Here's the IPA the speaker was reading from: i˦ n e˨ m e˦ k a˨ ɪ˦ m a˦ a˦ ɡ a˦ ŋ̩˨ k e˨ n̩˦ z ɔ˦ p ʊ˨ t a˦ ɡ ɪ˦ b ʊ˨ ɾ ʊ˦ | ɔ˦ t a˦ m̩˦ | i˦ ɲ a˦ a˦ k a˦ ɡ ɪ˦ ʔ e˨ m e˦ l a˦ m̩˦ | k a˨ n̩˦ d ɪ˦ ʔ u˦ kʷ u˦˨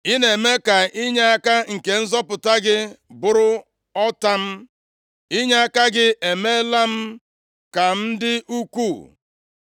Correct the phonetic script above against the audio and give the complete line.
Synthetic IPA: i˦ n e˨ m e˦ k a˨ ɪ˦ ɲ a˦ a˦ k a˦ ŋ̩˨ k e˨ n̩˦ z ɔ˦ p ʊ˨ t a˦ ɡ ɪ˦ b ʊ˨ ɾ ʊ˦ | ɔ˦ t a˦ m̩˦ | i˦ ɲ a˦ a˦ k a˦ ɡ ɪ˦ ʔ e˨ m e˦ l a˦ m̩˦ | k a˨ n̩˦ d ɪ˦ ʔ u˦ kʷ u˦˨

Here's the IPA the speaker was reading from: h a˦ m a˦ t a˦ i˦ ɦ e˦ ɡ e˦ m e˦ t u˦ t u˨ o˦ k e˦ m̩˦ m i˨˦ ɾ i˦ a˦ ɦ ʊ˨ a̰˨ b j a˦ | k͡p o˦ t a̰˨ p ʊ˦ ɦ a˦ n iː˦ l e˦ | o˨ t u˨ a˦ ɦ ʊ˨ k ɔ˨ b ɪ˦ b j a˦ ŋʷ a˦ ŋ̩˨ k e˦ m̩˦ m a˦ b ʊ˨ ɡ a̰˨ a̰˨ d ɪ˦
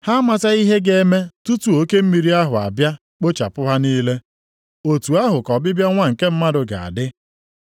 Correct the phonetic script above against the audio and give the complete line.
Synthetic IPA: h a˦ m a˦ t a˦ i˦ ɦ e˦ ɡ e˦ m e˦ t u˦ t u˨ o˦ k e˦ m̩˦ m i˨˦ ɾ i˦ a˦ ɦ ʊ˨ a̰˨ b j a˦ | k͡p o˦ t͡ʃ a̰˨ p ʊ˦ ɦ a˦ n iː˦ l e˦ | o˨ t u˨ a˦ ɦ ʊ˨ k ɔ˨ b ɪ˦ b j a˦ ŋʷ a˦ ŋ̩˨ k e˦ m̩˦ m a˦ d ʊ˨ ɡ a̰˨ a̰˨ d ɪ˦

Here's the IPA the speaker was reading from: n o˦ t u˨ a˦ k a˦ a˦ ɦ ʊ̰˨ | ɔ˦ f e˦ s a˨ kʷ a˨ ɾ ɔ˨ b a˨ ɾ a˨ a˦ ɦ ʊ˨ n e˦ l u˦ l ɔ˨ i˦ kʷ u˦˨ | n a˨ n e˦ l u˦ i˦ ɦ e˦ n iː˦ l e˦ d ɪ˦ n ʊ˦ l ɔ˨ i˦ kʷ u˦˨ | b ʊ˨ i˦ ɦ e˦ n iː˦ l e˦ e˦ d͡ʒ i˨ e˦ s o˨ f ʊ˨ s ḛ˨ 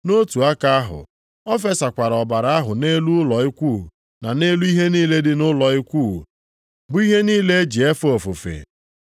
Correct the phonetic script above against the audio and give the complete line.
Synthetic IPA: n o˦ t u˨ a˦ k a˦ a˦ ɦ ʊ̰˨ | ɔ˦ f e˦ s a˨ kʷ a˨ ɾ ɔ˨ b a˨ ɾ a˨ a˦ ɦ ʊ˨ n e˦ l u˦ l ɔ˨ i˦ kʷ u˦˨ | n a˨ n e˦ l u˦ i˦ ɦ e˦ n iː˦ l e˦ d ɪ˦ n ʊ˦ l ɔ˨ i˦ kʷ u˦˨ | b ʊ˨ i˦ ɦ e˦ n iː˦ l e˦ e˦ d͡ʒ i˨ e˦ f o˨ f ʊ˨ f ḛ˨

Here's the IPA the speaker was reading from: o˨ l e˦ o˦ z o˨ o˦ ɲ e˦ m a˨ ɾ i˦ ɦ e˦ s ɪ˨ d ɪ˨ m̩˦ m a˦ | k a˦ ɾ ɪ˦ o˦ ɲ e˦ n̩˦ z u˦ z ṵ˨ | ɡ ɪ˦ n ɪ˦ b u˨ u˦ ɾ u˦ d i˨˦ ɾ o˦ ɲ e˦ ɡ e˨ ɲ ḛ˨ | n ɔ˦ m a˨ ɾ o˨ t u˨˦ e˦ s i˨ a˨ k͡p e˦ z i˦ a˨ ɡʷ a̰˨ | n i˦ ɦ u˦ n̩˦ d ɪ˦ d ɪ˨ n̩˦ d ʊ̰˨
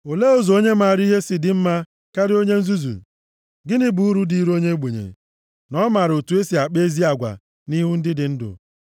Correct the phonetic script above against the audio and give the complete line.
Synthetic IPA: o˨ l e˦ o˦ z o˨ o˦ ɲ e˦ m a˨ ɾ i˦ ɦ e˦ s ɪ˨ d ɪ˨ m̩˦ m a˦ | k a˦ ɾ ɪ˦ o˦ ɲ e˦ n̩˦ z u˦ z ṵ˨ | ɡ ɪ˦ n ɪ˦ b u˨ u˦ ɾ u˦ d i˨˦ ɾ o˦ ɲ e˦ ɡ͡b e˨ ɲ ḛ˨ | n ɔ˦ m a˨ ɾ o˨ t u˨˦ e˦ s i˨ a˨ k͡p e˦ z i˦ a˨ ɡʷ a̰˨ | n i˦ ɦ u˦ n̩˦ d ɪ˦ d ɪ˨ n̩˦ d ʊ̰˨

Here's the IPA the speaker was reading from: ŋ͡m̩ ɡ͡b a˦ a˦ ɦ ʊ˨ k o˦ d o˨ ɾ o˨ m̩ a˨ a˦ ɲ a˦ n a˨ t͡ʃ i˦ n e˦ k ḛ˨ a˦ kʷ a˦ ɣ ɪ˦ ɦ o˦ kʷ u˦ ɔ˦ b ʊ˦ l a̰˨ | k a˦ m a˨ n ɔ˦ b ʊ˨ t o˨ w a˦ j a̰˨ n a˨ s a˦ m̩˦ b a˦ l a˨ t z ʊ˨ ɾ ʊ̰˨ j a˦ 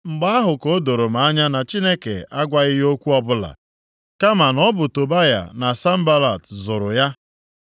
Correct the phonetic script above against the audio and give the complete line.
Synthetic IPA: ŋ͡m̩ ɡ͡b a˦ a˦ ɦ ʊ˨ k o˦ d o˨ ɾ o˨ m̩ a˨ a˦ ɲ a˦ n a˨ t͡ʃ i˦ n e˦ k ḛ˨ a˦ ɡʷ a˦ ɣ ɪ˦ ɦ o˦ kʷ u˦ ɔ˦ b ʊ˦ l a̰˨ | k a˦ m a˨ n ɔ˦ b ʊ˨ t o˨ b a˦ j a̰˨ n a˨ s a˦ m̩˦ b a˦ l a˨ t z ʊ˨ ɾ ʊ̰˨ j a˦

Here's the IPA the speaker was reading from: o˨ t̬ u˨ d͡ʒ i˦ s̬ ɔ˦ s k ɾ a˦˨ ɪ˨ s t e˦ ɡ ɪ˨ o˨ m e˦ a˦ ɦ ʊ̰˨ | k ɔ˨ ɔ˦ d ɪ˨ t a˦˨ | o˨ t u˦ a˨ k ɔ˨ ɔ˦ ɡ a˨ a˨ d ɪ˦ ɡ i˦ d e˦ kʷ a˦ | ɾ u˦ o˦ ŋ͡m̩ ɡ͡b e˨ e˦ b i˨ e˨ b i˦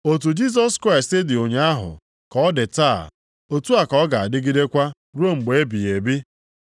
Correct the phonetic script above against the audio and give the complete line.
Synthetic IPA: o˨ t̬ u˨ d͡ʒ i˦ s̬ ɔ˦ s k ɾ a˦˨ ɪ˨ s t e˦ d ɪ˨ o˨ ɲ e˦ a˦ ɦ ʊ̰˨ | k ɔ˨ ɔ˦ d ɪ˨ t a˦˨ | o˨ t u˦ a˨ k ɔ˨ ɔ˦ ɡ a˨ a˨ d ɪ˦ ɡ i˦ d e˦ kʷ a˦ | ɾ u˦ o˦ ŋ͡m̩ ɡ͡b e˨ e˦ b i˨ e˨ b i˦

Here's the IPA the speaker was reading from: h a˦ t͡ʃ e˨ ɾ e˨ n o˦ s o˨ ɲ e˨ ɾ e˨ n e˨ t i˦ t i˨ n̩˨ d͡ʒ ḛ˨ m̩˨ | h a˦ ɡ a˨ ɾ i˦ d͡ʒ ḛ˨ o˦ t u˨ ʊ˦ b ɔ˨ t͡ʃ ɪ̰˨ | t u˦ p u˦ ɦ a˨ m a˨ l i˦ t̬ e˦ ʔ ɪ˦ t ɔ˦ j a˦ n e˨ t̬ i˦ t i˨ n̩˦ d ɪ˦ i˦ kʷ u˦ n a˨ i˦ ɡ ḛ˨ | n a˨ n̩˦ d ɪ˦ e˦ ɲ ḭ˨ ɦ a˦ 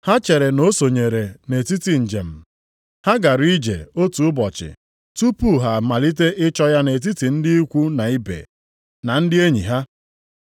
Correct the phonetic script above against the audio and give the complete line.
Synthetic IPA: h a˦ t͡ʃ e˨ ɾ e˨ n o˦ s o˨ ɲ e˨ ɾ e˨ n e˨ t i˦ t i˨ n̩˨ d͡ʒ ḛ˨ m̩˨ | h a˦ ɡ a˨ ɾ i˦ d͡ʒ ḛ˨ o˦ t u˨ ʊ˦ b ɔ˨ t͡ʃ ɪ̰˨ | t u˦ p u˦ ɦ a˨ m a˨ l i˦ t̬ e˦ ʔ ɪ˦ t͡ʃ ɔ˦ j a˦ n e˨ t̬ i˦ t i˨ n̩˦ d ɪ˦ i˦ kʷ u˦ n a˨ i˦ b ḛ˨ | n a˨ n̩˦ d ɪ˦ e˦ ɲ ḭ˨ ɦ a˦

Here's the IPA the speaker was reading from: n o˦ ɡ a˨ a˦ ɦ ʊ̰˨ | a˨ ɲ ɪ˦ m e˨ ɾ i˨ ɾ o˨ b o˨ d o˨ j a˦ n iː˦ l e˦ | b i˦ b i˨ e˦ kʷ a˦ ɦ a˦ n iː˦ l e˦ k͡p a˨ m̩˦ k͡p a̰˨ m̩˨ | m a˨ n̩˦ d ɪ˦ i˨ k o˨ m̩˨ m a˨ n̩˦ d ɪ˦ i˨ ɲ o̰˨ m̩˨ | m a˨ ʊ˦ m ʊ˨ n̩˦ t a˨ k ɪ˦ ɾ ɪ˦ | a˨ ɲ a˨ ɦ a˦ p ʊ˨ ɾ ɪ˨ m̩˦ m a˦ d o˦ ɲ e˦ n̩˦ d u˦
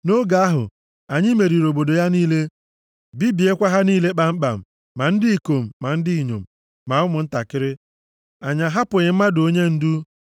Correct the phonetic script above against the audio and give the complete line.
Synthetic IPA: n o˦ ɡ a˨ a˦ ɦ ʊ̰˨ | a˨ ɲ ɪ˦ m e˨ ɾ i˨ ɾ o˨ b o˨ d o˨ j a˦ n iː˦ l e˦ | b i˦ b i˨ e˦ kʷ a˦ ɦ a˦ n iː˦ l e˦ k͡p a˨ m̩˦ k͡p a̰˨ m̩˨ | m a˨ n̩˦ d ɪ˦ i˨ k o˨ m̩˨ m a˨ n̩˦ d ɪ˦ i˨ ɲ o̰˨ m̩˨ | m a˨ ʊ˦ m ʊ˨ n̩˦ t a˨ k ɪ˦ ɾ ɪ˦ | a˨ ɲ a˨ ɦ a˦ p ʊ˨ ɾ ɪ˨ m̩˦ m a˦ d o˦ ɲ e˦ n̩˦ d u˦

